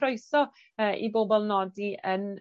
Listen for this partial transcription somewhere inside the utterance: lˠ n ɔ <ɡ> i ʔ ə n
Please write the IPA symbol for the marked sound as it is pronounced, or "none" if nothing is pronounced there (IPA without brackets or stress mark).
d